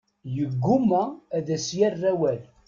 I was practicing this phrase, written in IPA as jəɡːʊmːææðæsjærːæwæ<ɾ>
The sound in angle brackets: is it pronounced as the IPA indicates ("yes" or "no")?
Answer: no